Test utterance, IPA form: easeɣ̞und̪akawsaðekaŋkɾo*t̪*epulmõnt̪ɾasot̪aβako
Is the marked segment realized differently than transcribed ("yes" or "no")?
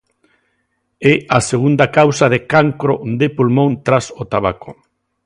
yes